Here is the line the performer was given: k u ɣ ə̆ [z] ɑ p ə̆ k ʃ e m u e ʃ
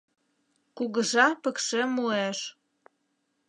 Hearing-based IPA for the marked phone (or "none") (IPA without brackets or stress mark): ʒ